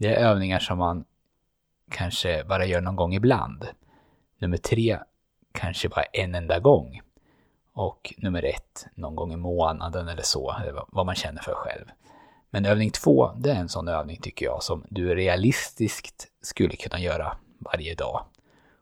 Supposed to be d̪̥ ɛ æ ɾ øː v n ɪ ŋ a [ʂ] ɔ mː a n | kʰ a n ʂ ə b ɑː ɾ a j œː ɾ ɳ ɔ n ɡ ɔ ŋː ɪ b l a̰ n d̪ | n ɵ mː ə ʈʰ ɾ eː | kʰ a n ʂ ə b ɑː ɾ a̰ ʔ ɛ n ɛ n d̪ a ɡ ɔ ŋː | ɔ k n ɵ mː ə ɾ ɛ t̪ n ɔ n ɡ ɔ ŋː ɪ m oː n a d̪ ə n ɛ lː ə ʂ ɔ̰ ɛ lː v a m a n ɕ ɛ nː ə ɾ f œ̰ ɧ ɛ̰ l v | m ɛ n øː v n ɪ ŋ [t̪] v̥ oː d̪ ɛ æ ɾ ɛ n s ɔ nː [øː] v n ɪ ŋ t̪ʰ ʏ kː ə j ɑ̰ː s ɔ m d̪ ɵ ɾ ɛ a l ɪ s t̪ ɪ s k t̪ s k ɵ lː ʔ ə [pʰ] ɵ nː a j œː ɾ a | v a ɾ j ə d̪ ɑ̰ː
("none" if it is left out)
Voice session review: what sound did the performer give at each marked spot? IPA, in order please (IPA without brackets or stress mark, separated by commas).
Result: ʂ, t̪ʰ, øː, kʰ